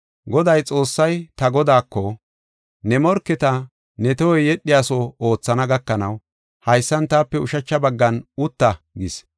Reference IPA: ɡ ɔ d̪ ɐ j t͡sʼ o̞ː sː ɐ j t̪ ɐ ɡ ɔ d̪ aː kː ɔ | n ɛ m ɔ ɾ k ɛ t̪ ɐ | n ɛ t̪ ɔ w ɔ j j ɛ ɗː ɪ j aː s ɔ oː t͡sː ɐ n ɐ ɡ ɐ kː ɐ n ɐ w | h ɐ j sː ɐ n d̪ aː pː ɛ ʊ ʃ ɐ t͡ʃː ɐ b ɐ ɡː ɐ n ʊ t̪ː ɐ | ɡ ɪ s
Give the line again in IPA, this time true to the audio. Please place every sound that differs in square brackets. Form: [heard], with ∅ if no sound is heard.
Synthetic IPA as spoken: ɡ ɔ d̪ ɐ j t͡sʼ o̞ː sː ɐ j t̪ ɐ ɡ ɔ d̪ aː kː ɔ | n ɛ m ɔ ɾ k ɛ t̪ ɐ | n ɛ t̪ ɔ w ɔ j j ɛ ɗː ɪ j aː s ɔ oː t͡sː ɐ n ɐ ɡ ɐ kː ɐ n ɐ w | h ɐ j sː ɐ n [t̪] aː pː ɛ ʊ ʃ ɐ t͡ʃː ɐ b ɐ ɡː ɐ n ʊ t̪ː ɐ | ɡ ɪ s